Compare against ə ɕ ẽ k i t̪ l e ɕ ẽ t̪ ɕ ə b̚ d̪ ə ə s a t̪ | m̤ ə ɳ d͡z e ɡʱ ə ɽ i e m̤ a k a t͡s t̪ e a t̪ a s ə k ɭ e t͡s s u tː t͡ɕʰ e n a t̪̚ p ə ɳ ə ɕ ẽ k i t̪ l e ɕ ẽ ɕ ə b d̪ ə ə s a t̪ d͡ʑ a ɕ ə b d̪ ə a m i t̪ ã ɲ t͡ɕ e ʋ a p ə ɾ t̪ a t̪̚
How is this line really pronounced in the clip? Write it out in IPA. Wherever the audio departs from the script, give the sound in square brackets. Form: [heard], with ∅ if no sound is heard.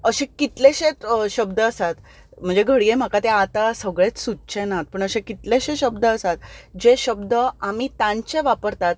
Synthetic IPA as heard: ə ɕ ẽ k i t̪ l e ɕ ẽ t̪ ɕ ə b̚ d̪ ə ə s a t̪ | m̤ ə ɳ d͡z e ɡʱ ə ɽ i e m̤ a k a [∅] t̪ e a t̪ a s ə [ɡ] ɭ e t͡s s u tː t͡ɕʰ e n a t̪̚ p ə ɳ ə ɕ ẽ k i t̪ l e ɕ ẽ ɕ ə b d̪ ə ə s a t̪ d͡ʑ [e] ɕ ə b d̪ ə a m i t̪ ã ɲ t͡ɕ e ʋ a p ə ɾ t̪ a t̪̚